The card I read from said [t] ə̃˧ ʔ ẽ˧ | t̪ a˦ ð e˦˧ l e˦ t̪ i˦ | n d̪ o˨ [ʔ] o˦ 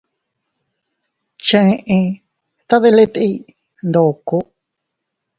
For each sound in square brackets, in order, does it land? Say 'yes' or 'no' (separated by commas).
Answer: no, no